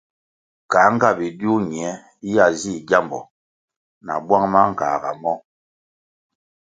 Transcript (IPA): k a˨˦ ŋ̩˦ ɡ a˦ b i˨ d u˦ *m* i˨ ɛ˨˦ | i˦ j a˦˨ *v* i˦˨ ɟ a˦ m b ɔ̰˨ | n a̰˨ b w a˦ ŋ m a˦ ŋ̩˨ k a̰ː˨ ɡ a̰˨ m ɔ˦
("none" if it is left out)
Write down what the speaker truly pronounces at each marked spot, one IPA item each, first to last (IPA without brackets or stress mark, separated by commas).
ɲ, z